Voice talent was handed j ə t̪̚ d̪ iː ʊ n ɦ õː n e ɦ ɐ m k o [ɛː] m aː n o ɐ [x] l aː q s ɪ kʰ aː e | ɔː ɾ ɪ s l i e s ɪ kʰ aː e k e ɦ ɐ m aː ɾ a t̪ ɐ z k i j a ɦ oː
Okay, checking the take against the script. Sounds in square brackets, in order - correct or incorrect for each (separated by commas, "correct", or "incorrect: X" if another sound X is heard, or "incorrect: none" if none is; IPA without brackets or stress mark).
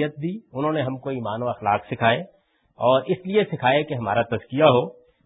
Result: incorrect: iː, correct